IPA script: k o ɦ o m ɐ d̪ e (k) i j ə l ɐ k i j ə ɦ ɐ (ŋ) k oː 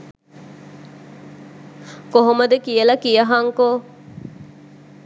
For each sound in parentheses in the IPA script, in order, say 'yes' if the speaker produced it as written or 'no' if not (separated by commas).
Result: yes, yes